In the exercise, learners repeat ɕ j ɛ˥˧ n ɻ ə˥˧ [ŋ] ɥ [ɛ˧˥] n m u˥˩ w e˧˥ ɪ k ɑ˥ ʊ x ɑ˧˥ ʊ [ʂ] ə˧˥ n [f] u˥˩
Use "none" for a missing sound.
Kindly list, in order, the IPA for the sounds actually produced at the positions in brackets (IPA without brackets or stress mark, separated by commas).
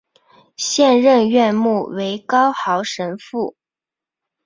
n, ɛ˥˧, ʂ, f